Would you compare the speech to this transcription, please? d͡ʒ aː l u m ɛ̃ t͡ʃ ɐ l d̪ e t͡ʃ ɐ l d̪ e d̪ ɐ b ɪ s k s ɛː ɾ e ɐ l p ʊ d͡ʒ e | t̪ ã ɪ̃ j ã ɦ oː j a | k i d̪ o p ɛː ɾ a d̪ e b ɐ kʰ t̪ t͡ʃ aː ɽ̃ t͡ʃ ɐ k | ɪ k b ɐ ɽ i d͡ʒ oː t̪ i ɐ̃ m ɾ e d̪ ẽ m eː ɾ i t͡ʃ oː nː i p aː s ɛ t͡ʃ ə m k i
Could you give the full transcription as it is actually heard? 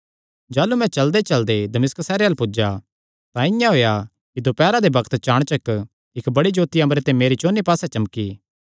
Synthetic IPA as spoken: d͡ʒ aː l u m ɛ̃ t͡ʃ ɐ l d̪ e t͡ʃ ɐ l d̪ e d̪ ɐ m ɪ s k s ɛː ɾ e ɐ l p ʊ d͡ʒ a | t̪ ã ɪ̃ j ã ɦ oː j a | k i d̪ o p ɛː ɾ a d̪ e b ɐ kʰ t̪ t͡ʃ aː ɽ̃ t͡ʃ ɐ k | ɪ k b ɐ ɽ i d͡ʒ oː t̪ i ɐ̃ m ɾ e t̪ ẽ m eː ɾ i t͡ʃ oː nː i p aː s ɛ t͡ʃ ɐ m k i